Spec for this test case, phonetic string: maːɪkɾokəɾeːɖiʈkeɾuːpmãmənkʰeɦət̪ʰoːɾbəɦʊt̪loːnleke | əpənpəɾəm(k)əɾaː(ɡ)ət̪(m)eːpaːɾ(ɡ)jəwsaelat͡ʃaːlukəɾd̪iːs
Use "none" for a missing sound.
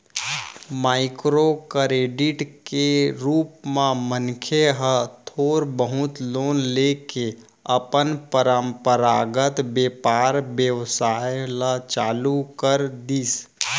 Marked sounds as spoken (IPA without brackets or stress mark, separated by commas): p, ɡ, b, b